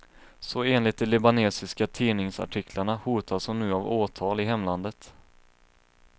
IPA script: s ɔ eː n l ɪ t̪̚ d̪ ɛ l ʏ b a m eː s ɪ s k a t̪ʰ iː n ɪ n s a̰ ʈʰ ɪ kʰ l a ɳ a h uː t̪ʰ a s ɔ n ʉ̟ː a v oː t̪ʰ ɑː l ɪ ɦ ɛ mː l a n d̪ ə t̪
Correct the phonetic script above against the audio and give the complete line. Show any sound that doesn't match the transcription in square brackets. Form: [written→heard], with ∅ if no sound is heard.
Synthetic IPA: s ɔ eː n l ɪ t̪̚ d̪ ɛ l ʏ b a [m→n] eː s ɪ s k a t̪ʰ iː n ɪ [n→ŋ] s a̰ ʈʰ ɪ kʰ l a ɳ a h uː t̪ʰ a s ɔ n ʉ̟ː a v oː t̪ʰ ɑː l ɪ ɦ ɛ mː l a n d̪ ə t̪